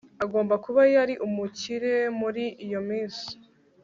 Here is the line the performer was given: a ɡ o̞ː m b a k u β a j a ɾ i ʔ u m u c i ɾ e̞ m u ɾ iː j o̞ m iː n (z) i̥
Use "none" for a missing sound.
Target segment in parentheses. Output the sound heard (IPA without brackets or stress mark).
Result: s